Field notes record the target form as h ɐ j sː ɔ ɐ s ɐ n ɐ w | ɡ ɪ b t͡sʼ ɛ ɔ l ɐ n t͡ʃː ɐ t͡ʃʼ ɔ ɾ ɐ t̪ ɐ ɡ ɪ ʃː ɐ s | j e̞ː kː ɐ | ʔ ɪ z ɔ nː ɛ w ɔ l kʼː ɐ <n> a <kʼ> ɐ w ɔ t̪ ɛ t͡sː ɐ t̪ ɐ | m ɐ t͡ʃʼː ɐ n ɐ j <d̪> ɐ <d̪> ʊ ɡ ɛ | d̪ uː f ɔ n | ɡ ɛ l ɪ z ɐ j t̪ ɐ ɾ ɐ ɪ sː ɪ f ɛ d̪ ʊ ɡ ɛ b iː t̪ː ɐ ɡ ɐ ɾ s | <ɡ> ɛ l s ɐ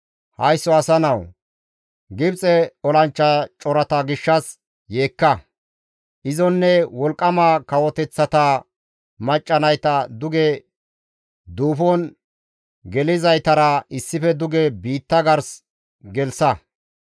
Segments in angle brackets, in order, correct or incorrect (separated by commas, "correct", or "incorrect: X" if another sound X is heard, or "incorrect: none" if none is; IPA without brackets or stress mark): incorrect: m, incorrect: k, incorrect: t̪, correct, correct